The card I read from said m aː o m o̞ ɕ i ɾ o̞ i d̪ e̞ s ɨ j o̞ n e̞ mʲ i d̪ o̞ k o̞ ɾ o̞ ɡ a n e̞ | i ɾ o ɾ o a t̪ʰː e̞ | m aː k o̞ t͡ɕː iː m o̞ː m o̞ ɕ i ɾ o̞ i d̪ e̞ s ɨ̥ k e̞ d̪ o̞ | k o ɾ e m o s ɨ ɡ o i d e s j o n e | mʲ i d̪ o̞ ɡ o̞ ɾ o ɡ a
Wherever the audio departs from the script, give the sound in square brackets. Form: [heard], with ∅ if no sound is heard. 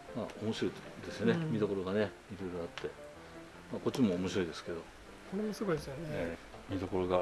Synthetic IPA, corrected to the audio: m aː o m o̞ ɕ i ɾ o̞ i d̪ e̞ s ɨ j o̞ n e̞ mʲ i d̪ o̞ k o̞ ɾ o̞ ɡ a n e̞ | i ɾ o ɾ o a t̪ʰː e̞ | m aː k o̞ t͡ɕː [i] m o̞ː m o̞ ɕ i ɾ o̞ i d̪ e̞ s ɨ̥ k e̞ d̪ o̞ | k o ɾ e m o s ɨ ɡ o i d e s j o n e | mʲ i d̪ o̞ [k] o̞ ɾ o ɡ a